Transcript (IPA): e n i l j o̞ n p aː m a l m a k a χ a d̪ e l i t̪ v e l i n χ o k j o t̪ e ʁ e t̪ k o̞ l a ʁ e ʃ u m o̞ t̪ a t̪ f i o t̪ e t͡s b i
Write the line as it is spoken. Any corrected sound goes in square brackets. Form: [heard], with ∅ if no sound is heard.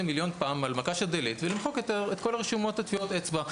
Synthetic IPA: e [m] i l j o̞ n p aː m a l m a k a [ʃ] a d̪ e l i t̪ v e l i [m] χ o k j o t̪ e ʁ e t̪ k o̞ l a ʁ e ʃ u m o̞ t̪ a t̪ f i o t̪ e t͡s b [a]